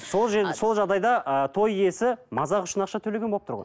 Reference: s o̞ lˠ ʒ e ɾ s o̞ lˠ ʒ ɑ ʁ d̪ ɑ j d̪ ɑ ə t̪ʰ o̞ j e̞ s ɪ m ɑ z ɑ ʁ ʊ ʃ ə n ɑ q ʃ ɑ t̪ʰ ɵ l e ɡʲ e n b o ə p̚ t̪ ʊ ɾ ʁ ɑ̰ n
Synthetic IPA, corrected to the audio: s o̞ lˠ ʒ e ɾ s o̞ lˠ ʒ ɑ ʁ d̪ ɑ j d̪ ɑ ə t̪ʰ o̞ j e̞ s ɪ m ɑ z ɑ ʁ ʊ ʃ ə n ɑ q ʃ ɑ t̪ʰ ɵ l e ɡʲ e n b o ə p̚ t̪ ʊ ɾ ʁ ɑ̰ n